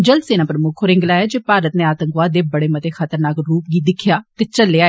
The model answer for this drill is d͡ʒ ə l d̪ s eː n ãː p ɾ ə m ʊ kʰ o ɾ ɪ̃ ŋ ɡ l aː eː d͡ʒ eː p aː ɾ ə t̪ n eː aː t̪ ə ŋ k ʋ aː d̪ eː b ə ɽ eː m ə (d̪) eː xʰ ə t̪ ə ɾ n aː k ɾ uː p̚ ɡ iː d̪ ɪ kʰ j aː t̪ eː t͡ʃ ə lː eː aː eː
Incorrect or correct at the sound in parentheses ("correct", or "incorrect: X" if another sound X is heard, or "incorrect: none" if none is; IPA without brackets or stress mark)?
incorrect: t̪